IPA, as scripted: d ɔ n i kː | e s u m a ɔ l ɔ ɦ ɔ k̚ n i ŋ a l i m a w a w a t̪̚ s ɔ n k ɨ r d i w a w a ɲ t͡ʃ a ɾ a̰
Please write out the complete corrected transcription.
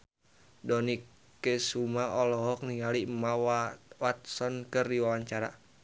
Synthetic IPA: d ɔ n i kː | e s u m a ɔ l ɔ ɦ ɔ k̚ n i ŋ a l i m a w a w a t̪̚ s ɔ n k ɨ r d i w a w a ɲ t͡ʃ a ɾ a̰